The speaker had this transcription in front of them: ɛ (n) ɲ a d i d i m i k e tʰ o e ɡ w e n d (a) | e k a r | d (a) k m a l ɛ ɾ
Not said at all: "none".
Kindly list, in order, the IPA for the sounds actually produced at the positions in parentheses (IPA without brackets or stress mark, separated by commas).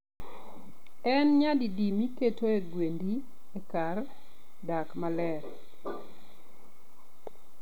n, i, a